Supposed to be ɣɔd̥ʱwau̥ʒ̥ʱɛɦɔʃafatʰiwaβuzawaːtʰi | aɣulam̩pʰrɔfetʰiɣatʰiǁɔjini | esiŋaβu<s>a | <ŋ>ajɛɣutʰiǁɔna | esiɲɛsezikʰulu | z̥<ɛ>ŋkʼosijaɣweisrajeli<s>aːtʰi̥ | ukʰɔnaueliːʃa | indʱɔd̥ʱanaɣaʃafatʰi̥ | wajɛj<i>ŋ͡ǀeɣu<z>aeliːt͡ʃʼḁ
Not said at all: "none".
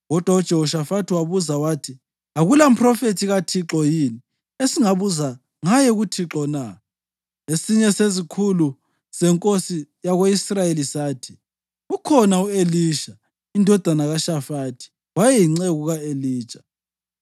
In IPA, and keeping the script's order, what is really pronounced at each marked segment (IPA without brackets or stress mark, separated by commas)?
z, ŋ, ɛ, s, i, ɣ